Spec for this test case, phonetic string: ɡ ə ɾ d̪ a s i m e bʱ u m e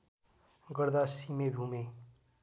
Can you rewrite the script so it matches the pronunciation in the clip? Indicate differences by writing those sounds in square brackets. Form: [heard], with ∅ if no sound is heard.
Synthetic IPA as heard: ɡ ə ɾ d̪ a s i m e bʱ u m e